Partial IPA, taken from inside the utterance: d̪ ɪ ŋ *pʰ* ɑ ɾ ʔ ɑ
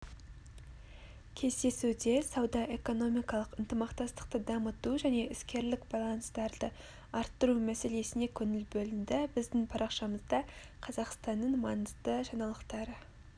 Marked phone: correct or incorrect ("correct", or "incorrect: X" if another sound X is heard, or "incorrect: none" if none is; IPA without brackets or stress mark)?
correct